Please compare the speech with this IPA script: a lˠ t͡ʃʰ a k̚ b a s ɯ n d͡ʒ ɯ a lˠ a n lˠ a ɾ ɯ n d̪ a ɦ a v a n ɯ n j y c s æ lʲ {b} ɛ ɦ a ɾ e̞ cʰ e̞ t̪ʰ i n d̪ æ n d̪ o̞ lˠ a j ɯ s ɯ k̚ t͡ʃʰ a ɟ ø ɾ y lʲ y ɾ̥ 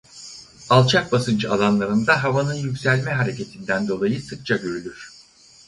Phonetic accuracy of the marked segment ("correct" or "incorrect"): incorrect